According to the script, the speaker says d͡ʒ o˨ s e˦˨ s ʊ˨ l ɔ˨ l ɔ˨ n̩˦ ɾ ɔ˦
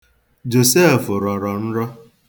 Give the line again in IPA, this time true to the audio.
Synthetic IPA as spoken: d͡ʒ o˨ s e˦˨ f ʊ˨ ɾ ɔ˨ ɾ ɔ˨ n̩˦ ɾ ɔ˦